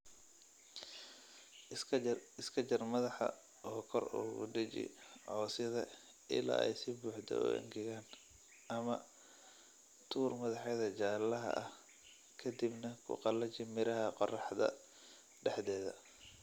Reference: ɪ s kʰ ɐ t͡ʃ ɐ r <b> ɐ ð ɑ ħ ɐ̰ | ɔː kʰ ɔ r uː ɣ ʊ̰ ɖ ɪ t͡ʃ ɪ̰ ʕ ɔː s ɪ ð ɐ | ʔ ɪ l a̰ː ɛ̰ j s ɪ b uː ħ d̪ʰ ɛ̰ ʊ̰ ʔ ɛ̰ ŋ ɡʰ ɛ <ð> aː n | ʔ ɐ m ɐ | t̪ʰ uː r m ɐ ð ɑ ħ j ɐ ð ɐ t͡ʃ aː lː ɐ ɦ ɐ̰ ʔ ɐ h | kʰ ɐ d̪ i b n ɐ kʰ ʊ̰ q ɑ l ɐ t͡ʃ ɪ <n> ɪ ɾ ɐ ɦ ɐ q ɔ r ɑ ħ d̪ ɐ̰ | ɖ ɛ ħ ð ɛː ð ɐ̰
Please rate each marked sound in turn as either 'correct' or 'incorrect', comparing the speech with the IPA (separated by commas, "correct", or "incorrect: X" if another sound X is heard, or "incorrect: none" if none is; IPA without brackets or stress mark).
incorrect: m, incorrect: ɣ, incorrect: m